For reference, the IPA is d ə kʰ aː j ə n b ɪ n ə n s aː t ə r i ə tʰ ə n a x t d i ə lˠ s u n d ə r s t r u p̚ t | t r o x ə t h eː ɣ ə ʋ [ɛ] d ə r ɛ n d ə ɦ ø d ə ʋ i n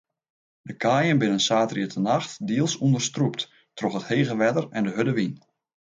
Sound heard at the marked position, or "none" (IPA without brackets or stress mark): ɛ